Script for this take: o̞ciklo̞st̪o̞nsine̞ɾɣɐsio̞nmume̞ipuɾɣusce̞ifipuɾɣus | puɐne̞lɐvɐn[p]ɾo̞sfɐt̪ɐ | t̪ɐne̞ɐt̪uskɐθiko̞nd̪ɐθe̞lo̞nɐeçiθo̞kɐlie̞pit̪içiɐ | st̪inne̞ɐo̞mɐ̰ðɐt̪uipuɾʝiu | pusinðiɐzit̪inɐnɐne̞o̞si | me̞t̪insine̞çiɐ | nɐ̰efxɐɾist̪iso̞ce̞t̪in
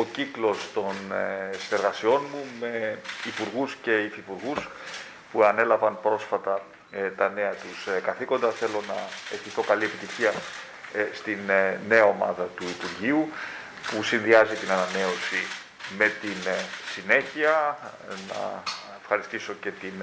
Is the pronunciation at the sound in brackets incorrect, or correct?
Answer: correct